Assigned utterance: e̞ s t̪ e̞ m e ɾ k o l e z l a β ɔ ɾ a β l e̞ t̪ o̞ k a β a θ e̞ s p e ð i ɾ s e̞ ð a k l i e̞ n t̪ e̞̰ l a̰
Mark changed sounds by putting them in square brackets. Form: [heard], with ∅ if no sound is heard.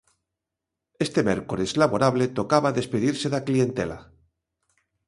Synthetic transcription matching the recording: e̞ s t̪ e̞ m e ɾ k o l e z l a β [o] ɾ a β l e̞ t̪ o̞ k a β a [ð] e̞ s p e ð i ɾ s e̞ ð a k l i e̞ n t̪ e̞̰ l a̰